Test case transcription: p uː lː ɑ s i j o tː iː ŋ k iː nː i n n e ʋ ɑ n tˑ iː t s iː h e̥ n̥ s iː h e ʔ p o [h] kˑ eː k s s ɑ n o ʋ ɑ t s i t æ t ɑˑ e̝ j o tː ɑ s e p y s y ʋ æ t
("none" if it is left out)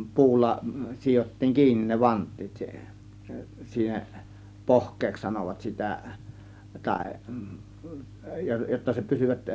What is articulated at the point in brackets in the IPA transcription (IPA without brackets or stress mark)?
h